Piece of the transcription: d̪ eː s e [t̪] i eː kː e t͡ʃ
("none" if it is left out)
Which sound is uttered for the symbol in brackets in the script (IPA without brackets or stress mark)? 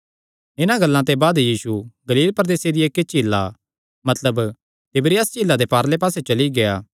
d̪